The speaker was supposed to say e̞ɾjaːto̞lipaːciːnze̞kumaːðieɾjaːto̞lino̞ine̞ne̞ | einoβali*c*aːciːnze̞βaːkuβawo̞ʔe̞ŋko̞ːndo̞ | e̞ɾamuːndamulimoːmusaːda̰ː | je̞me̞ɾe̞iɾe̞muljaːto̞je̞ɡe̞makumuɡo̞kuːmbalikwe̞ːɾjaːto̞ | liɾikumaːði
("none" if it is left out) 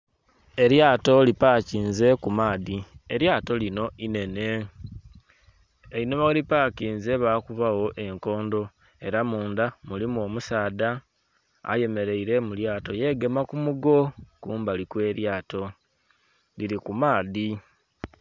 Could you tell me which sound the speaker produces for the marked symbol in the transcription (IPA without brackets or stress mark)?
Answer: p